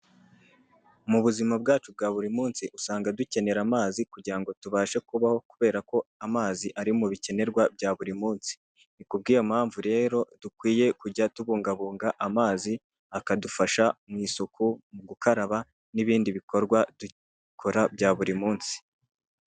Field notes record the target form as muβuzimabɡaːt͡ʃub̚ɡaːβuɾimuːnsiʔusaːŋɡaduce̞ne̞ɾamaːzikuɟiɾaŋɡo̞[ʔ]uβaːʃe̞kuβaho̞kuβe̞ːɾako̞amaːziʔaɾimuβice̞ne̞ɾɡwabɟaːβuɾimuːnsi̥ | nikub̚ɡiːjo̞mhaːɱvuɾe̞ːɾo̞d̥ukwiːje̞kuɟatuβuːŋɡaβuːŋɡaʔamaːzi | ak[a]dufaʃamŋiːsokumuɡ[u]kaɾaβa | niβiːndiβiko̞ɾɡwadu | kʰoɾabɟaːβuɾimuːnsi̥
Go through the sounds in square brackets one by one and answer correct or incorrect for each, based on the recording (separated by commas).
incorrect, correct, correct